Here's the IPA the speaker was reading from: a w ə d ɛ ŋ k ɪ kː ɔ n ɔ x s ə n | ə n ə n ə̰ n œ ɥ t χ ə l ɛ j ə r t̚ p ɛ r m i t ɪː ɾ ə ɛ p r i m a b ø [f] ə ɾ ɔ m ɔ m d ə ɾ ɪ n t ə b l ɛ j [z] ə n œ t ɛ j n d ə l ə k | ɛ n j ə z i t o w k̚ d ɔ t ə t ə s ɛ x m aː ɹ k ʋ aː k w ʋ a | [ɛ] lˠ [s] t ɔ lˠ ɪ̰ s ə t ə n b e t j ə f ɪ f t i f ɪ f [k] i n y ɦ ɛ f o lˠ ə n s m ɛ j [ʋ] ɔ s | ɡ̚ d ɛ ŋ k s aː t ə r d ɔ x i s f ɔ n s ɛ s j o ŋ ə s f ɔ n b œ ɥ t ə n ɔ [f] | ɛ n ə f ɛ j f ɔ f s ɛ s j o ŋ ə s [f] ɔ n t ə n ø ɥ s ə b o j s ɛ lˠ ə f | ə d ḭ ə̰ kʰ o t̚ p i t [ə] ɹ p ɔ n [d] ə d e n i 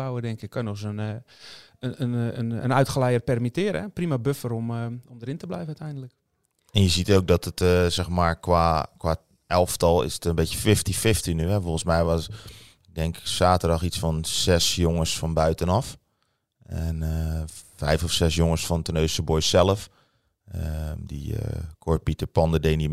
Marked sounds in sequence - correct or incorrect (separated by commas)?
correct, incorrect, correct, incorrect, incorrect, correct, correct, correct, correct, correct